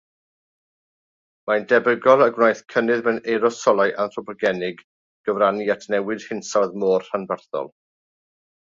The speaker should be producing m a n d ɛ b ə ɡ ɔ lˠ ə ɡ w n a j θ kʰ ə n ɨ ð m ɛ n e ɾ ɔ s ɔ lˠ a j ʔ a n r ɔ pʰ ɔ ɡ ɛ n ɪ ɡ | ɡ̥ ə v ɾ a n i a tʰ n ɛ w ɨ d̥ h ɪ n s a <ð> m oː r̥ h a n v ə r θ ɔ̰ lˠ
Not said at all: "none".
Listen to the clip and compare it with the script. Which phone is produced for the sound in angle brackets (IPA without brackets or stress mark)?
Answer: ð